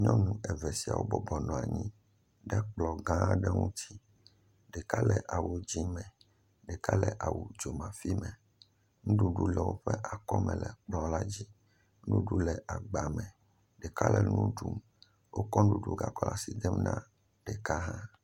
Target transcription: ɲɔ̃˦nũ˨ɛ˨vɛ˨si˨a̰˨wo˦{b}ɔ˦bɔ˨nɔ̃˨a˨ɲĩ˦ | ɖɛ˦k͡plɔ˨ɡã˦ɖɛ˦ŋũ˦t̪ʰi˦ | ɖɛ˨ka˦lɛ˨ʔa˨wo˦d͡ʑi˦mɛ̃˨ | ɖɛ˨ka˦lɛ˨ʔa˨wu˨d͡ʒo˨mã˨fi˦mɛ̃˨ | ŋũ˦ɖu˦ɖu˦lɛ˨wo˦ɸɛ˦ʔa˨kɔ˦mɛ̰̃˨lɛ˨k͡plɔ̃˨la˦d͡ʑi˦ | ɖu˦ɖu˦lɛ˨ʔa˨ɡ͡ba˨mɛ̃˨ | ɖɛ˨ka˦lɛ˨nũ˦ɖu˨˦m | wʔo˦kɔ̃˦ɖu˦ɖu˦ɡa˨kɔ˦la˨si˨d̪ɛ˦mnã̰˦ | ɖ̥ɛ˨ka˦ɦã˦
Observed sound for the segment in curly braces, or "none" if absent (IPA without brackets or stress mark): b